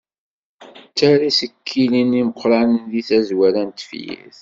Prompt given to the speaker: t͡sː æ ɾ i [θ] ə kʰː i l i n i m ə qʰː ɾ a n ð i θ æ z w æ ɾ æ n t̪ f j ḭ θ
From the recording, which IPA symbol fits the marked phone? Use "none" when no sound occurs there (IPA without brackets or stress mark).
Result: s